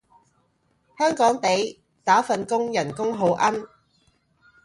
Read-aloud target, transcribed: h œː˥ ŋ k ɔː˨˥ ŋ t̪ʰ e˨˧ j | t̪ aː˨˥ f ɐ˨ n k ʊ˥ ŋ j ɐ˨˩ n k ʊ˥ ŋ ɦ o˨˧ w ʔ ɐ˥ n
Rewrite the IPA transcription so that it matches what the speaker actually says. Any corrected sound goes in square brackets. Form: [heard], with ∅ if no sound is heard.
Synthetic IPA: h œː˥ ŋ k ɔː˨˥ ŋ [t̪] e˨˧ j | t̪ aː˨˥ f ɐ˨ n k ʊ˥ ŋ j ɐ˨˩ n k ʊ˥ ŋ ɦ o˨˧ w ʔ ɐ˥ n